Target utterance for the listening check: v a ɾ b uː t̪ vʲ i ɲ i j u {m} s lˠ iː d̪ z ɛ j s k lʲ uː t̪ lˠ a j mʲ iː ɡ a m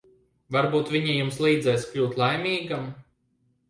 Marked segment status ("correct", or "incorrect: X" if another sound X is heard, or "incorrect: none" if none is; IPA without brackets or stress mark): correct